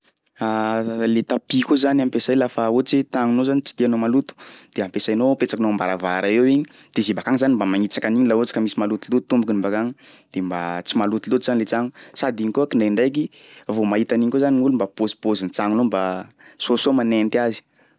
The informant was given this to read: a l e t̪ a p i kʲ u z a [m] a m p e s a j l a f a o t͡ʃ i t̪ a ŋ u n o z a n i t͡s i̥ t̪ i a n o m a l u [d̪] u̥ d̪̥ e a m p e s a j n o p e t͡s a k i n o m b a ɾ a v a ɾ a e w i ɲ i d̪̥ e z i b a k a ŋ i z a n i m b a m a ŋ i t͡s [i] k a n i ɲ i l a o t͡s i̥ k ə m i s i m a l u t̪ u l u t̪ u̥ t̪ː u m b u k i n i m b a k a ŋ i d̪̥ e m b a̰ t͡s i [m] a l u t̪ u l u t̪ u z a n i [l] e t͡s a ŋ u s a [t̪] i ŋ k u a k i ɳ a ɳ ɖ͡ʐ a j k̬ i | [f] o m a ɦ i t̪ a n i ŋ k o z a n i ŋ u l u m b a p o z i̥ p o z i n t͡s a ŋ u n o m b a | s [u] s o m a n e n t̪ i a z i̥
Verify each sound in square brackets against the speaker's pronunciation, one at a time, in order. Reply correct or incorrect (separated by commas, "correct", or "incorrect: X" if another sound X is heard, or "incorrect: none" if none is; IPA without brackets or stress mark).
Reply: incorrect: n, incorrect: t̪, incorrect: a, correct, correct, incorrect: d̪, incorrect: v, incorrect: o